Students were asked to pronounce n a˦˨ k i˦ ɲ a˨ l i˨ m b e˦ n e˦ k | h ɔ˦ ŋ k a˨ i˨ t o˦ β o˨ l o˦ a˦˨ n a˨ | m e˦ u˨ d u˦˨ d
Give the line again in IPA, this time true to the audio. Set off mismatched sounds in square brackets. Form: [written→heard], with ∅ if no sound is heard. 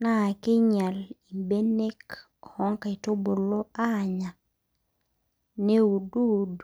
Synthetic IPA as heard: n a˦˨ k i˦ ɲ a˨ l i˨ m b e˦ n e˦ k | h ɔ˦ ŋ k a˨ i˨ t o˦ [β→b] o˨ l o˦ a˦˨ [n→ɲ] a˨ | [m→n] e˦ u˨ d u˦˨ d

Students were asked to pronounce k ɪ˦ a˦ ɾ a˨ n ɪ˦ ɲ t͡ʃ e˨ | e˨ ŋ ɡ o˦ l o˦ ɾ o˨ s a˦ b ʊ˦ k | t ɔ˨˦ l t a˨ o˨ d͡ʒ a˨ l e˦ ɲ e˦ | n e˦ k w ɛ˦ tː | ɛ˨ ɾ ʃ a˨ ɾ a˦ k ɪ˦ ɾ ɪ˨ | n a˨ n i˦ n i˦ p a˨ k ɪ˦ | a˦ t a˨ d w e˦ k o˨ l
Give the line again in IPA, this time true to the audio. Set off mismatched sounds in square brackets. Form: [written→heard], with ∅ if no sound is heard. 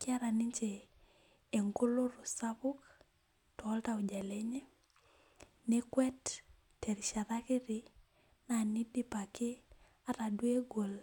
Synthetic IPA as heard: k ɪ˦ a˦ ɾ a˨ n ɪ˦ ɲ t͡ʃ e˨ | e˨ ŋ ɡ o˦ l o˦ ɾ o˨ s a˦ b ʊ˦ k | t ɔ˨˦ l t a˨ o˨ d͡ʒ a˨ l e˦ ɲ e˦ | n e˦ k w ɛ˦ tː | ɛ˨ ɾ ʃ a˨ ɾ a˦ k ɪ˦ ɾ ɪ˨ | n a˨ n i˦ [n→d] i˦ p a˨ k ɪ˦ | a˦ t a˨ d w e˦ [k→ɡ] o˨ l

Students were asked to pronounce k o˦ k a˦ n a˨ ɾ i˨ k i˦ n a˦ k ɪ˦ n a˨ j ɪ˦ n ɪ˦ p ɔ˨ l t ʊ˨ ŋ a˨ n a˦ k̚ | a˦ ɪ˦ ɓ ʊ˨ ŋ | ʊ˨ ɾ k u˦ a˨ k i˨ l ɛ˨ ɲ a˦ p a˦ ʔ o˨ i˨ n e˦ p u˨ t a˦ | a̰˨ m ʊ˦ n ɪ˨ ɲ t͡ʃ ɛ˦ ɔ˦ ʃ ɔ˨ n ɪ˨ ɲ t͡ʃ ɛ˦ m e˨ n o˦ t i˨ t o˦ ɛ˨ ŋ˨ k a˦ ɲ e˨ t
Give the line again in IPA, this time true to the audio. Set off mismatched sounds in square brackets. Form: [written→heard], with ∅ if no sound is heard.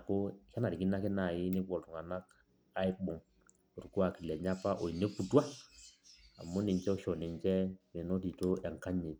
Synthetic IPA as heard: k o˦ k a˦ n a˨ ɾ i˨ k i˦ n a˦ k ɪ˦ n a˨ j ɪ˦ n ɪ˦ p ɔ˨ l t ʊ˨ ŋ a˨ n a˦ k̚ | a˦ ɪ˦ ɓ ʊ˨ ŋ | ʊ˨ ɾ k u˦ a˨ k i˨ l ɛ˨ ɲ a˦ p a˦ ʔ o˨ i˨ n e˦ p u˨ t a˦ | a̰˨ m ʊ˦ n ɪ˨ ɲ t͡ʃ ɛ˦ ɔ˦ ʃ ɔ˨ n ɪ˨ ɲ t͡ʃ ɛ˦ m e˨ n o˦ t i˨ t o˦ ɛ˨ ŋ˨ k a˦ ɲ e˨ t

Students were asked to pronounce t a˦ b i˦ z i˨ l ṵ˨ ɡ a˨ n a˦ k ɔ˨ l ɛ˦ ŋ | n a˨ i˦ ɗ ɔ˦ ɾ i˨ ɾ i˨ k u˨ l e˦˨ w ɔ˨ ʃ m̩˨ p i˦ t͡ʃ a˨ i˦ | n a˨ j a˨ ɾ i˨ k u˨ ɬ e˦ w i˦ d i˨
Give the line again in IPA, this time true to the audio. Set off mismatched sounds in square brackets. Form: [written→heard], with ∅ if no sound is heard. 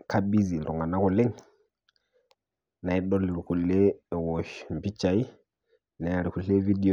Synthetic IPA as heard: [t→k] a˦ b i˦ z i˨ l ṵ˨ [ɡ→ŋ] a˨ n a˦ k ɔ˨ l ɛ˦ ŋ | n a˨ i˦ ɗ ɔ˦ [ɾ→l] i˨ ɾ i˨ k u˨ l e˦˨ w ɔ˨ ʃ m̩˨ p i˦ t͡ʃ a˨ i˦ | n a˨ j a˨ ɾ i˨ k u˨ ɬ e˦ [w→v] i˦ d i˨

